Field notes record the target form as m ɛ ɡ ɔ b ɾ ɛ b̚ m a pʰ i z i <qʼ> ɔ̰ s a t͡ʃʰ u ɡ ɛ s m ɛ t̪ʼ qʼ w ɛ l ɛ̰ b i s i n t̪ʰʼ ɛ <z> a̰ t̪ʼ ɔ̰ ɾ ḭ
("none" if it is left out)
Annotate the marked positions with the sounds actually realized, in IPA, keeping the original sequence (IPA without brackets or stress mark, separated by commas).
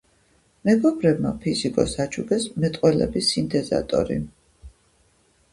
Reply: kʼ, z